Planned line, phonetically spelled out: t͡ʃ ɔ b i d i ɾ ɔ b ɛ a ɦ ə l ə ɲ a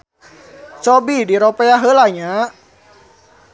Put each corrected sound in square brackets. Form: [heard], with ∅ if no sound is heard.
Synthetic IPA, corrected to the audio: t͡ʃ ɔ b i d i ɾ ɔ [p] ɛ a ɦ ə l [a] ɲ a